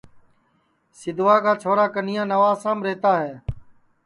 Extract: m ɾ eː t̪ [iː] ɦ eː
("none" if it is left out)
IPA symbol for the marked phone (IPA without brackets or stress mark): aː